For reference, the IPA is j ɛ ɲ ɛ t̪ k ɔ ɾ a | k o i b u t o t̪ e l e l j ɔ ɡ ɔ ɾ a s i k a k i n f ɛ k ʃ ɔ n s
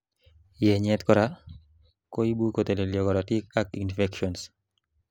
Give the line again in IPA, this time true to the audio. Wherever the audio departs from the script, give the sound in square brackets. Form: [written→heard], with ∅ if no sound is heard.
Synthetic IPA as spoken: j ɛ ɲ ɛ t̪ k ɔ ɾ a | k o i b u [t→k] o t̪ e l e l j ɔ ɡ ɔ ɾ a [s→t] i k a k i n f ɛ k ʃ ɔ n s